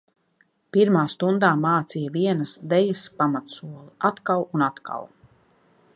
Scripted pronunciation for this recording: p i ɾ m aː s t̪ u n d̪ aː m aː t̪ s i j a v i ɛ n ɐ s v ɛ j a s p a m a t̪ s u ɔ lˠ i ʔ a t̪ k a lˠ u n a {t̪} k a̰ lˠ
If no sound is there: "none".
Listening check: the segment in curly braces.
t̪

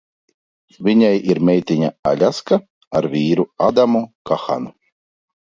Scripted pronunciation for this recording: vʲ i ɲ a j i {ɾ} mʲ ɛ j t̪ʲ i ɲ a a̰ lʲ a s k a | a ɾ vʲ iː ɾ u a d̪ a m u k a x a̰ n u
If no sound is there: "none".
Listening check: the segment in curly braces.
ɾ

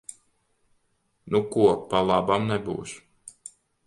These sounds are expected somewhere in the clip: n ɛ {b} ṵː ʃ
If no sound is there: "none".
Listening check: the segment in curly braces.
b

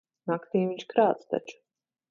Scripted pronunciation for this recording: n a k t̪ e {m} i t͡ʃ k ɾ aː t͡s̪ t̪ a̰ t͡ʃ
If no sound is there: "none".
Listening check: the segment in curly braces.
m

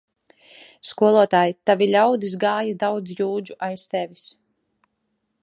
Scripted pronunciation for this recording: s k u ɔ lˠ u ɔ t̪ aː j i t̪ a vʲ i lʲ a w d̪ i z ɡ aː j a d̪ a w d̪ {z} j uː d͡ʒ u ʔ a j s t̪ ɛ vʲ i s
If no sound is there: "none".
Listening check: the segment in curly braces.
z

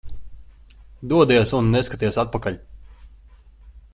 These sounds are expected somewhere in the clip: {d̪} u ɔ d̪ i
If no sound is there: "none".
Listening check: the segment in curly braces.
d̪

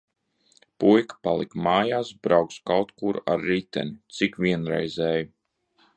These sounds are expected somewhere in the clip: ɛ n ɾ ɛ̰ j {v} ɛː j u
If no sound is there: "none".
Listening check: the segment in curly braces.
z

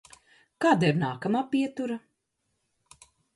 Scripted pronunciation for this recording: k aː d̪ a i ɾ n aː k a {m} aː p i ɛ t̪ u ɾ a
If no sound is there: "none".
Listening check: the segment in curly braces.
m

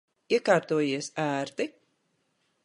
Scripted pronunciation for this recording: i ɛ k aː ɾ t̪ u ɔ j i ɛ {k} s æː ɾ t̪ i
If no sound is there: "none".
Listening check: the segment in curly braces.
none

